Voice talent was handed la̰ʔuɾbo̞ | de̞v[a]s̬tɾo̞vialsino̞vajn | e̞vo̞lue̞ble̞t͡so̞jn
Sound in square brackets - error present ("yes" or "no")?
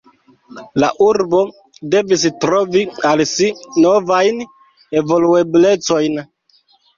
yes